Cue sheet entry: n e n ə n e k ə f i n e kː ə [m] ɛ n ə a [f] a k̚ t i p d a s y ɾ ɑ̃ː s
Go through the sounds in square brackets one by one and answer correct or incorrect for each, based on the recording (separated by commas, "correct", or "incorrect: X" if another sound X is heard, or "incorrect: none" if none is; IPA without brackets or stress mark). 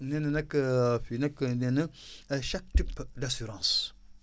incorrect: n, incorrect: ʃ